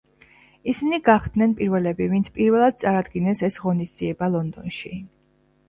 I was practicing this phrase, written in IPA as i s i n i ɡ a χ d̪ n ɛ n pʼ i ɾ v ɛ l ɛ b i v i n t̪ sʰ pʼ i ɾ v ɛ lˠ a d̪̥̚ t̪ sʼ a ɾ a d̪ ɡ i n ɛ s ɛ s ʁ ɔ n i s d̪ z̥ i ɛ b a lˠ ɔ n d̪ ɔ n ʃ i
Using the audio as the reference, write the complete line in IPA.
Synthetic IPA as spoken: i s i n i ɡ a χ d̪ n ɛ n pʼ i ɾ v ɛ l ɛ b i v i n t̪ sʰ pʼ i ɾ v ɛ lˠ a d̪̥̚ t̪ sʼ a ɾ a d̪ ɡ i n ɛ s ɛ s ʁ ɔ n i s d̪ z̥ i ɛ b a lˠ ɔ n d̪ ɔ n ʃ i